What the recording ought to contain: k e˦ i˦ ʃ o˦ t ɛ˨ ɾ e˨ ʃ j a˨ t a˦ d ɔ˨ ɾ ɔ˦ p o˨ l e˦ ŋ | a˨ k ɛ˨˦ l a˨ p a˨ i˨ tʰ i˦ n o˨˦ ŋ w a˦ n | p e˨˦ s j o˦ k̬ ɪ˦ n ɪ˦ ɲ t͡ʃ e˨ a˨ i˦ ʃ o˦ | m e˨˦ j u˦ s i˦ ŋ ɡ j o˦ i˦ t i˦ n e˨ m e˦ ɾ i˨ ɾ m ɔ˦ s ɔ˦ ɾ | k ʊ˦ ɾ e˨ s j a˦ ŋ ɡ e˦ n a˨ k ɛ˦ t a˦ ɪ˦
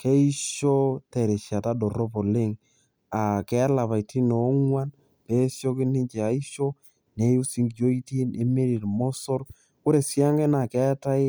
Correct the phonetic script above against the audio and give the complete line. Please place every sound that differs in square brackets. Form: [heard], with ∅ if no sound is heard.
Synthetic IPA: k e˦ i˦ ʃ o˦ t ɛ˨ ɾ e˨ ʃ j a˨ t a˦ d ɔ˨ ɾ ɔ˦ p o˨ l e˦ ŋ | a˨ k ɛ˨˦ l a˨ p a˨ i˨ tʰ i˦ n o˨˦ ŋ w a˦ n | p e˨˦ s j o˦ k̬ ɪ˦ n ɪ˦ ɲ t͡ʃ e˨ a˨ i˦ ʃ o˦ | [n] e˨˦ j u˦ s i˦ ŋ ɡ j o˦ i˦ t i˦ n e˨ m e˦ ɾ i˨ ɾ m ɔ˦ s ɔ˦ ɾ | k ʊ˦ ɾ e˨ s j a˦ ŋ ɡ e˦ n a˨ k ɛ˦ t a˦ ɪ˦